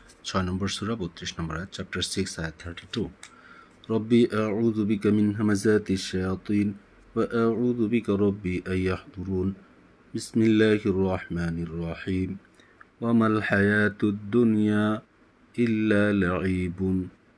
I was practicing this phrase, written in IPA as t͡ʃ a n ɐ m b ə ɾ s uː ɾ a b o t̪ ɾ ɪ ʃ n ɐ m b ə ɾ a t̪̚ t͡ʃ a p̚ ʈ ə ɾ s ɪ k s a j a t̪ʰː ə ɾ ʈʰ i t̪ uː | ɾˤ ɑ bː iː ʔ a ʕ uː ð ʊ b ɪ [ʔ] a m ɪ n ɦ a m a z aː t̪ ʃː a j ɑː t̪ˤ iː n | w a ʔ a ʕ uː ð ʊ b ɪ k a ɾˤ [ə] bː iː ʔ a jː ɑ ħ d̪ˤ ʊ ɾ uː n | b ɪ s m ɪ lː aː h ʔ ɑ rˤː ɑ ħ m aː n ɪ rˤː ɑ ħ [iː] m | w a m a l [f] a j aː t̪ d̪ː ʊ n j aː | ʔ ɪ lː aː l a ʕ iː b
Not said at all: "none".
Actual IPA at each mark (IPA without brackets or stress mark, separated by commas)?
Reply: k, ɑ, iː, ħ